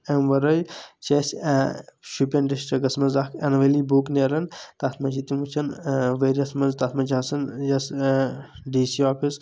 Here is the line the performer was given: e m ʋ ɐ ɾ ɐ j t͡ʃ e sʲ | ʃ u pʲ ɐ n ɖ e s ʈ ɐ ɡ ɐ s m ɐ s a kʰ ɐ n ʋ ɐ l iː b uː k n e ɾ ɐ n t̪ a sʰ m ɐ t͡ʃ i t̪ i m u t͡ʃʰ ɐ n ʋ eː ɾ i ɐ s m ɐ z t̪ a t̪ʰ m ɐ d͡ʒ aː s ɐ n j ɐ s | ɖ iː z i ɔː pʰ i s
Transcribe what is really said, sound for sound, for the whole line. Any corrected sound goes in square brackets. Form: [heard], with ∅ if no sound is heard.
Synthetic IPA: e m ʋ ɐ ɾ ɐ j t͡ʃ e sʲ | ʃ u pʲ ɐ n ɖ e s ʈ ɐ ɡ ɐ s m ɐ [z] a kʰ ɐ n ʋ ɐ l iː b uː k n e ɾ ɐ n t̪ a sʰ m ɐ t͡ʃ i t̪ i m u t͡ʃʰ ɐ n ʋ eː ɾ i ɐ s m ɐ z t̪ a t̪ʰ m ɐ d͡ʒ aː s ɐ n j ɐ s | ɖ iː [s] i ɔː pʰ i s

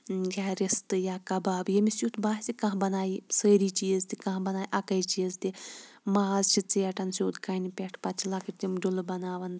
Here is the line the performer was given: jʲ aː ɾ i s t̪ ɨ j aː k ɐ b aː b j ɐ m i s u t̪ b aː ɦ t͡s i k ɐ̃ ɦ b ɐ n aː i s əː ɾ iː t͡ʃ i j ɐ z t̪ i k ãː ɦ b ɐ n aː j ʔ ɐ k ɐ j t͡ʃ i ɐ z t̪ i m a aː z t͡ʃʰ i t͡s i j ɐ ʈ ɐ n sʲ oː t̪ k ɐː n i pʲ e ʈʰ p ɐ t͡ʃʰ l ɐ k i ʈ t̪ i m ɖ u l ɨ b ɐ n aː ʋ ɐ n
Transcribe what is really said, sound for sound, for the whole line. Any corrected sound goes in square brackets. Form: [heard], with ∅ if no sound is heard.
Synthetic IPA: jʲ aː ɾ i s t̪ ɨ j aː k ɐ b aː b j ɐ m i s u t̪ b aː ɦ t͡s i k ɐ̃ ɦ b ɐ n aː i s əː ɾ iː t͡ʃ i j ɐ z t̪ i k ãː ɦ b ɐ n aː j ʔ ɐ k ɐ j t͡ʃ i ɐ z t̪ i m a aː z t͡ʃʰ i t͡s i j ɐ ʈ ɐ n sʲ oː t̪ k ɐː n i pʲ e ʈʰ p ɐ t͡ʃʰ l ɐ k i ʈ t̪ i m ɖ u l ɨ b ɐ n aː ʋ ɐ n

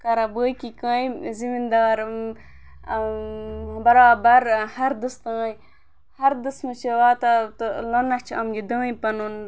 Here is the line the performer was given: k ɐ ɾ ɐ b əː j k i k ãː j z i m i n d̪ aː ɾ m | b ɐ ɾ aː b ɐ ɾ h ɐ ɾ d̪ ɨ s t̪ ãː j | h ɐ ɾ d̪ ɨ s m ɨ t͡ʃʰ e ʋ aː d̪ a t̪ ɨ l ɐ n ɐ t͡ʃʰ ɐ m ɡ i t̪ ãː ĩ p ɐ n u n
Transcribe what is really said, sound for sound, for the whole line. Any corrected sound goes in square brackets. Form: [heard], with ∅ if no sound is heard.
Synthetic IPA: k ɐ ɾ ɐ b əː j k i k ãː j z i m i n d̪ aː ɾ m | b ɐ ɾ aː b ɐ ɾ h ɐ ɾ d̪ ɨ s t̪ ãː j | h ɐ ɾ d̪ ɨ s m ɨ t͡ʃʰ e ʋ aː [t̪] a t̪ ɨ l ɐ n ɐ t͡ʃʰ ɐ m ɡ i [d̪] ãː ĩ p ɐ n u n

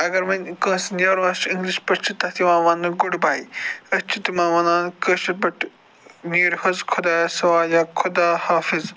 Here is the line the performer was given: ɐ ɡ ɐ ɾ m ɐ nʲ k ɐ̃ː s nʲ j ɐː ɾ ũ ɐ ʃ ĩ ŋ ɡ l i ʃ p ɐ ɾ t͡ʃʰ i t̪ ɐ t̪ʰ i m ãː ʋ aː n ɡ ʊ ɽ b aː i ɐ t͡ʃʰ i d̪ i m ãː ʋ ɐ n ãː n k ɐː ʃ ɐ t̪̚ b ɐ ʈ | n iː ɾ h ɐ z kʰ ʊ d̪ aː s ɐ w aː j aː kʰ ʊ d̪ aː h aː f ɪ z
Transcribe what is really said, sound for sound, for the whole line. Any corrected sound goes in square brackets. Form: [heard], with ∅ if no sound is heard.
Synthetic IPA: ɐ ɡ ɐ ɾ m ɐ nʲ k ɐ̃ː s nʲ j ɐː ɾ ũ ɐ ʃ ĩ ŋ ɡ l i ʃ p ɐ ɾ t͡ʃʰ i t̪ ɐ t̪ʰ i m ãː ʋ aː n ɡ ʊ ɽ b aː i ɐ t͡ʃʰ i [t̪] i m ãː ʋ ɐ n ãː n k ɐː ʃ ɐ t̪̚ b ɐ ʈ | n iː ɾ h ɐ z kʰ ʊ d̪ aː s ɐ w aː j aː kʰ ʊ d̪ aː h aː f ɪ z

